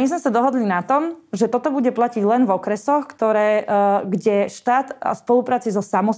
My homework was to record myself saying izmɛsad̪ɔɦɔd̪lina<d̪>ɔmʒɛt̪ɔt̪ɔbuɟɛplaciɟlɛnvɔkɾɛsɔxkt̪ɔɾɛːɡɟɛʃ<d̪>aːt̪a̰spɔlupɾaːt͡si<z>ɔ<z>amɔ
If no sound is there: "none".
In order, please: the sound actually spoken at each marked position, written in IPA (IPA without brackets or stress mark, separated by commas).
t̪, t̪, z, s